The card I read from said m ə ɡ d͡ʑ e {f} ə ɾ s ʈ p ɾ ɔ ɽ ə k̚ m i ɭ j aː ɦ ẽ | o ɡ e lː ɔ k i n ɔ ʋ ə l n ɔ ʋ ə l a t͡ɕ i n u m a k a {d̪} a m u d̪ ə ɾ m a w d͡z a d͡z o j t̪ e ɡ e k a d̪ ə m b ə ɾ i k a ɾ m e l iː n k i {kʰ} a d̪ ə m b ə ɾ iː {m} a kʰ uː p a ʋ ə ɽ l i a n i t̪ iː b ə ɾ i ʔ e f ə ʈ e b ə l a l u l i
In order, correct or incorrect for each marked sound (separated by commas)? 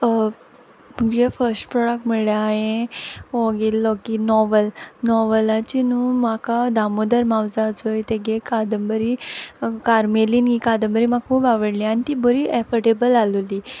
correct, correct, incorrect, correct